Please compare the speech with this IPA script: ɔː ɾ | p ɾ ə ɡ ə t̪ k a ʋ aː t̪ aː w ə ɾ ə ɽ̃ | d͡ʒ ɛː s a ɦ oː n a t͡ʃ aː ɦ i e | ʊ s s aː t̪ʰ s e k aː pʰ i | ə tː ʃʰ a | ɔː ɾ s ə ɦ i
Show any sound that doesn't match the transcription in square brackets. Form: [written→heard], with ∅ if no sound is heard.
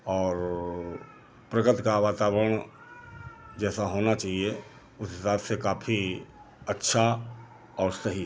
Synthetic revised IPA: ɔː ɾ | p ɾ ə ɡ ə t̪ k a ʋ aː t̪ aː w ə ɾ ə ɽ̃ | d͡ʒ ɛː s a ɦ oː n a t͡ʃ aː ɦ i e | ʊ s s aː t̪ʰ s e k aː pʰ i | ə tː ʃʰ a | ɔː ɾ s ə ɦ i

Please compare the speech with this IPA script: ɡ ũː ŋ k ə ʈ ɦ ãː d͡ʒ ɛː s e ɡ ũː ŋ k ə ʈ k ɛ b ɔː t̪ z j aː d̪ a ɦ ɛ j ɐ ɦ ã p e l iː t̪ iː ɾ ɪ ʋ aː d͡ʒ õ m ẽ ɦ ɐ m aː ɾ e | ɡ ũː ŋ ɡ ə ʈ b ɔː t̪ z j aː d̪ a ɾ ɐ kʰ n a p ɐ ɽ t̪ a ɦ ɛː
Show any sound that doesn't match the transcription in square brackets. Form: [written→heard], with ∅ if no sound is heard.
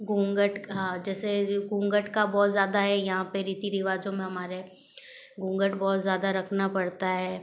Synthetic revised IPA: ɡ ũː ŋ [k→ɡ] ə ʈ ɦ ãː d͡ʒ ɛː s e ɡ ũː ŋ [k→ɡ] ə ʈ k [ɛ→a] b ɔː t̪ z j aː d̪ a ɦ ɛ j ɐ ɦ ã p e [l→ɾ] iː t̪ [iː→i] ɾ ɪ ʋ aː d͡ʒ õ m ẽ ɦ ɐ m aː ɾ e | ɡ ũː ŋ ɡ ə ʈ b ɔː t̪ z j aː d̪ a ɾ ɐ kʰ n a p ɐ ɽ t̪ a ɦ ɛː

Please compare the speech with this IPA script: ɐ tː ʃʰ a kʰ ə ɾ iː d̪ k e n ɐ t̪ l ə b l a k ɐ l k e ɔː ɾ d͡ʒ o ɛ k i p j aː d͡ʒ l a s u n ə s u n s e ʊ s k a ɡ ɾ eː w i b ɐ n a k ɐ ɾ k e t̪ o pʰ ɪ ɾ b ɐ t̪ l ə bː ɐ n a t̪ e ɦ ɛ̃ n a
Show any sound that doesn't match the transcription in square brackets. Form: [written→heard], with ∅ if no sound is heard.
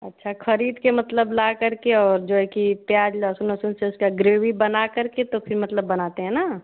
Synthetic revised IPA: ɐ tː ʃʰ a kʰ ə ɾ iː d̪ k e [n→m] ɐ t̪ l ə b l a k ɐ [l→ɾ] k e ɔː ɾ d͡ʒ o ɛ k i p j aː d͡ʒ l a s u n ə s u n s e ʊ s k a ɡ ɾ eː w i b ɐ n a k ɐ ɾ k e t̪ o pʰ ɪ ɾ [b→m] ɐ t̪ l ə bː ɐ n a t̪ e ɦ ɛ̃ n a

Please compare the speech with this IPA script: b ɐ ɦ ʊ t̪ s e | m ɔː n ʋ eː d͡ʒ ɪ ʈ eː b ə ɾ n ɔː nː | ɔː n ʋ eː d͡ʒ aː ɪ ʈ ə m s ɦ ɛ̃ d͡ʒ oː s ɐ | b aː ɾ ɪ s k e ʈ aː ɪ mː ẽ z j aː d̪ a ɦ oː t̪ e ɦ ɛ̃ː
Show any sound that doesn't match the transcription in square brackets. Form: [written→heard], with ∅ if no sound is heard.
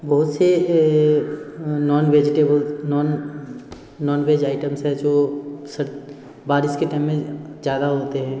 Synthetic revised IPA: b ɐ ɦ ʊ t̪ s e | [m→n] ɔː n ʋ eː d͡ʒ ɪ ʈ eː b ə [ɾ→l] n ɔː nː | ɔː n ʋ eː d͡ʒ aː ɪ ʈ ə m s ɦ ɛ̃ d͡ʒ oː s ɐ | b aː ɾ ɪ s k e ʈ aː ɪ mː ẽ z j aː d̪ a ɦ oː t̪ e ɦ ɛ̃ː

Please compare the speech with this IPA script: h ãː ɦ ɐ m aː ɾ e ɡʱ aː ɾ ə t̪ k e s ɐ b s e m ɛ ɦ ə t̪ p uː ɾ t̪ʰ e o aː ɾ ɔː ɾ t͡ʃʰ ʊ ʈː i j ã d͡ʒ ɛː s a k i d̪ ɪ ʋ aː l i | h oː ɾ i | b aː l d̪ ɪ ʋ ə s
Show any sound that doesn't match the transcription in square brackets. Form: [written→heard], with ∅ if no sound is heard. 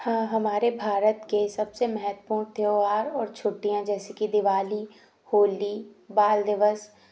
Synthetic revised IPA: h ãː ɦ ɐ m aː ɾ e [ɡʱ→bʱ] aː ɾ ə t̪ k e s ɐ b s e m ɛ ɦ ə t̪ p uː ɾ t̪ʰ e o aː ɾ ɔː ɾ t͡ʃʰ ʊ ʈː i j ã d͡ʒ ɛː s [a→e] k i d̪ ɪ ʋ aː l i | h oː [ɾ→l] i | b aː l d̪ ɪ ʋ ə s

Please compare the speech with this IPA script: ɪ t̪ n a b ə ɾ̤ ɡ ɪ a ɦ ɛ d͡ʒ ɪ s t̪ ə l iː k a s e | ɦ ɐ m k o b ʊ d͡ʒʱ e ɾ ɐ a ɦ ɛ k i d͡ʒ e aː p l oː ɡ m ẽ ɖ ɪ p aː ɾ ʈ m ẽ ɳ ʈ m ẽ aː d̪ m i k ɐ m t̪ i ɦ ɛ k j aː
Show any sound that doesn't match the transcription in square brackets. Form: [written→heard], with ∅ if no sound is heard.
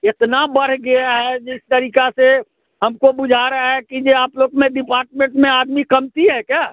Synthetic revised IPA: ɪ t̪ n a b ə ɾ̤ ɡ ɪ a ɦ ɛ d͡ʒ ɪ s t̪ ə [l→ɾ] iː k a s e | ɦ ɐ m k o b ʊ d͡ʒʱ [e→a] ɾ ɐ a ɦ ɛ k i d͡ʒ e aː p l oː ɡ m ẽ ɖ ɪ p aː ɾ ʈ m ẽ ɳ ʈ m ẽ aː d̪ m i k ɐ m t̪ i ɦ ɛ k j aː

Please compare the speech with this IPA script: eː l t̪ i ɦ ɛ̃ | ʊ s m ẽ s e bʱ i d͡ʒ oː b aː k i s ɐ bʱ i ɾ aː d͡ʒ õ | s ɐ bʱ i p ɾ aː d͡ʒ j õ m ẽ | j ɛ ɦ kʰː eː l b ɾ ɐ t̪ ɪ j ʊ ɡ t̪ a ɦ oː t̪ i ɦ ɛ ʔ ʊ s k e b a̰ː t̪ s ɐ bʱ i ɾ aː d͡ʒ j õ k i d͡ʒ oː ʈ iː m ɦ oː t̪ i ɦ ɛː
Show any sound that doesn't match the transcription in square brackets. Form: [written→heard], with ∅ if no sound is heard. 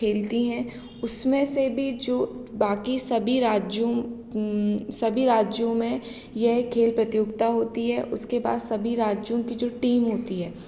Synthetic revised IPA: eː l t̪ i ɦ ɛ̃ | ʊ s m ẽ s e bʱ i d͡ʒ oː b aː k i s ɐ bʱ i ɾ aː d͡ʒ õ | s ɐ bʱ i [p→∅] ɾ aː d͡ʒ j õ m ẽ | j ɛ ɦ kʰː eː l [b→p] ɾ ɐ t̪ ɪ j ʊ ɡ t̪ a ɦ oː t̪ i ɦ ɛ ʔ ʊ s k e b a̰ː [t̪→d̪] s ɐ bʱ i ɾ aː d͡ʒ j õ k i d͡ʒ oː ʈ iː m ɦ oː t̪ i ɦ ɛː

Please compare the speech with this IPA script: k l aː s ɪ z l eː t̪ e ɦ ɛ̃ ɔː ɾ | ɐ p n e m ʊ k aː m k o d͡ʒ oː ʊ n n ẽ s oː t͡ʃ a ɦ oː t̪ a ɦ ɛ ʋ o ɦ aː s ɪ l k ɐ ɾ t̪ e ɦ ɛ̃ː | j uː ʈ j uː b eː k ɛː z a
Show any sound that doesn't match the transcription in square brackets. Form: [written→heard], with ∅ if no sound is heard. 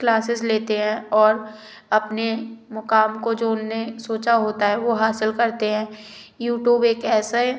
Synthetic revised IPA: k l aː s ɪ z l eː t̪ e ɦ ɛ̃ ɔː ɾ | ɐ p n e m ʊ k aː m k o d͡ʒ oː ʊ n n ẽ s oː t͡ʃ a ɦ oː t̪ a ɦ ɛ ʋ o ɦ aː s ɪ l k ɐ ɾ t̪ e ɦ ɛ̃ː | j uː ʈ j uː b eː k ɛː [z→s] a

